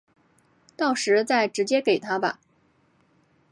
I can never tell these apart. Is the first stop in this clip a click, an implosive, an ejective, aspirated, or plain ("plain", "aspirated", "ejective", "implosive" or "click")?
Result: plain